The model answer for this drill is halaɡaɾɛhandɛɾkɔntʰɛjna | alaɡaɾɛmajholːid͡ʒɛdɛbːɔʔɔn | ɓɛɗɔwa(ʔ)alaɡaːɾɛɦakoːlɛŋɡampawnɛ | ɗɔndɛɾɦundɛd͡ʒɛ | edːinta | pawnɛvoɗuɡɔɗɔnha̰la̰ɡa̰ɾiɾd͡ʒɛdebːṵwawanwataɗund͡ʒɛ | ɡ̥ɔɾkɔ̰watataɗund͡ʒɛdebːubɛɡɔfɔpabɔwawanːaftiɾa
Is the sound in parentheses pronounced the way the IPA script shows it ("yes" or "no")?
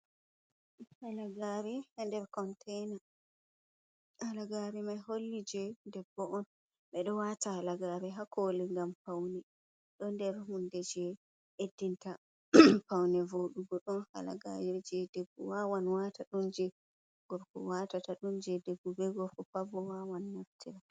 no